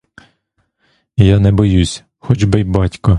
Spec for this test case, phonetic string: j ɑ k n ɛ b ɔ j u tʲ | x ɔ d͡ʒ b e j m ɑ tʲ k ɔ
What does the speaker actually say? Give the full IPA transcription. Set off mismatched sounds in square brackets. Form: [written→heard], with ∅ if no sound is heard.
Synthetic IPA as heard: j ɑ [k→∅] n ɛ b ɔ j u [tʲ→sʲ] | x ɔ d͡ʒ b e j [m→b] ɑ tʲ k ɔ